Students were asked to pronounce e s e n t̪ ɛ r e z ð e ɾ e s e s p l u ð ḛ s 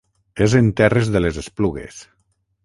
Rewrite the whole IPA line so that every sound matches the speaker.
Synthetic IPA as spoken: e z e n t̪ ɛ r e z ð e l e z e s p l u ɣ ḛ s